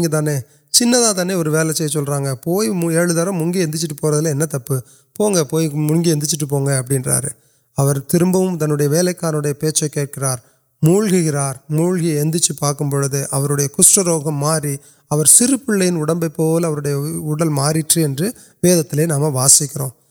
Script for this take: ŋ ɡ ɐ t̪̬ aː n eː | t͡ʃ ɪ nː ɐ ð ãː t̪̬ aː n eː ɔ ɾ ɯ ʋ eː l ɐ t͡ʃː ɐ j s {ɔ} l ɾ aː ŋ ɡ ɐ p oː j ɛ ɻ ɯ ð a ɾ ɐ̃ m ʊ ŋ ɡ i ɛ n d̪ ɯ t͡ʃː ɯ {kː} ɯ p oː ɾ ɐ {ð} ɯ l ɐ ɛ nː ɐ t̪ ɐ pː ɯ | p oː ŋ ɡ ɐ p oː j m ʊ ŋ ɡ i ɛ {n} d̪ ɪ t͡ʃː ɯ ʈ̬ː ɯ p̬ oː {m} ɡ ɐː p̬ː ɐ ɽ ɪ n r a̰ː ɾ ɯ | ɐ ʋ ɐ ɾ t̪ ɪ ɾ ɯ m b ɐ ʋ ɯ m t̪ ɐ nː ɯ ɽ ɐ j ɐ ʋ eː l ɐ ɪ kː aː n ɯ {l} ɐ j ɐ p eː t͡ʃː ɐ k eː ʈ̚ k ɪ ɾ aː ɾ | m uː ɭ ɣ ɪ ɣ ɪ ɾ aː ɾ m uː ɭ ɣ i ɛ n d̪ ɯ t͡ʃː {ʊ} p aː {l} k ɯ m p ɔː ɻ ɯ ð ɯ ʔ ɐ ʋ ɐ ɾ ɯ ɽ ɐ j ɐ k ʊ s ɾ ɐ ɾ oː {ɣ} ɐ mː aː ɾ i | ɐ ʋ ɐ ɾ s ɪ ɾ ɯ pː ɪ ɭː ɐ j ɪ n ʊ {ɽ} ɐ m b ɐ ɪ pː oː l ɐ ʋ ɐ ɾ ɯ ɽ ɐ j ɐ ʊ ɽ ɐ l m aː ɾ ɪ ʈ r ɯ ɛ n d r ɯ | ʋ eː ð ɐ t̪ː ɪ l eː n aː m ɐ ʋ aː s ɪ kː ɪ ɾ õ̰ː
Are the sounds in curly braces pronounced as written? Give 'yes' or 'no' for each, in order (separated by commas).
yes, no, yes, yes, no, no, no, no, yes, yes